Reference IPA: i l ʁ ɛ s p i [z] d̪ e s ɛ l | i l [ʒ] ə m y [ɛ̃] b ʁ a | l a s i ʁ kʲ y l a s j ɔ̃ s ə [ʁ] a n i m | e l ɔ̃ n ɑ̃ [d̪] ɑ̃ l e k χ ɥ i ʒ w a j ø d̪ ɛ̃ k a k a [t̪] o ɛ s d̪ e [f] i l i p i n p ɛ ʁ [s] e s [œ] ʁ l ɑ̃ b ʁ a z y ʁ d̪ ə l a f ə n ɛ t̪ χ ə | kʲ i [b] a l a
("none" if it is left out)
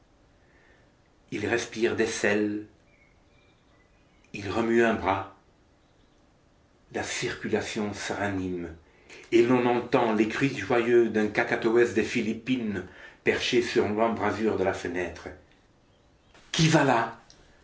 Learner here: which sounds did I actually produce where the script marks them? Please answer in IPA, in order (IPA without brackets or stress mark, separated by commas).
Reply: ʁ, ʁ, ɛ̃, ʁ, t̪, t̪, f, ʃ, y, v